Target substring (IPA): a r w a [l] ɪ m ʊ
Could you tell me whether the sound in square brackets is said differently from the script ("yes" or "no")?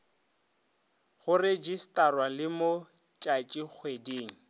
no